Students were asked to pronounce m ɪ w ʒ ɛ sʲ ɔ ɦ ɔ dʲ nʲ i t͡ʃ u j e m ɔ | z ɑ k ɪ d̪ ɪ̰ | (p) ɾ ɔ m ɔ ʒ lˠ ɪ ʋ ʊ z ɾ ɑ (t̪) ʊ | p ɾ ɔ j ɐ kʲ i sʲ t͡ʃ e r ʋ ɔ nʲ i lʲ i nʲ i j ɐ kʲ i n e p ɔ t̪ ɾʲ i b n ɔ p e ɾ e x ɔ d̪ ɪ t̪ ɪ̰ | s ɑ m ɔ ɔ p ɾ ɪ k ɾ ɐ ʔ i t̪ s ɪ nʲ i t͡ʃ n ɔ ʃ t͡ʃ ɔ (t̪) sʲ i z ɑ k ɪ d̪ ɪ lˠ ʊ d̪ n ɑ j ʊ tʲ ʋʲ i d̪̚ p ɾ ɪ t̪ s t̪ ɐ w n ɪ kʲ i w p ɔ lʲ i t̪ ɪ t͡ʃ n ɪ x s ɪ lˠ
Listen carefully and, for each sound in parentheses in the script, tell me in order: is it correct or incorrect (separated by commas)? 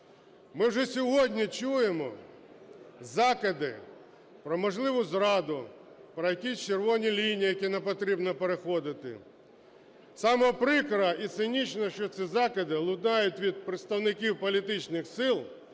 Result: correct, incorrect, correct